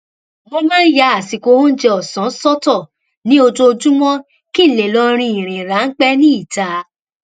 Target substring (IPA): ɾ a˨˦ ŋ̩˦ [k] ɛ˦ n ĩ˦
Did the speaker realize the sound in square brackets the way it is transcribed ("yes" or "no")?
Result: no